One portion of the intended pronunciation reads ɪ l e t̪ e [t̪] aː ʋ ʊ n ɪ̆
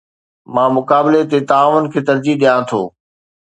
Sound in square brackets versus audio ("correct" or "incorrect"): correct